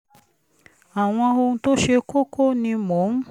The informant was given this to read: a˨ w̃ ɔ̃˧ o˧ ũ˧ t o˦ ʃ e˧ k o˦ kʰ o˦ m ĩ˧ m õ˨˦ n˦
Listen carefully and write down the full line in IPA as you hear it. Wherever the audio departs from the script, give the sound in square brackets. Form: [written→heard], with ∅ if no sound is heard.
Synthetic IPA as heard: a˨ w̃ ɔ̃˧ o˧ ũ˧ t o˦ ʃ e˧ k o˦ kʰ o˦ [m→n] ĩ˧ m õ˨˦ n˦